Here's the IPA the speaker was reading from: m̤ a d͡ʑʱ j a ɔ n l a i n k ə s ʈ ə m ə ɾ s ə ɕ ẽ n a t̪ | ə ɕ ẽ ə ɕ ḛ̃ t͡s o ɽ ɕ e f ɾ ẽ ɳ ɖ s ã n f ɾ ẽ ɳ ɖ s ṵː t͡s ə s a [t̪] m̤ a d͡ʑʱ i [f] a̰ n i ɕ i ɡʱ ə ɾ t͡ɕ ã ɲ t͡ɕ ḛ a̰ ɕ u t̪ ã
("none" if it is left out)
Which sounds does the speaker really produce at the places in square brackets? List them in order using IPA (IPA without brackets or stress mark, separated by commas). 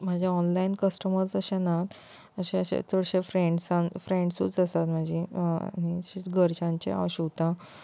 t̪, none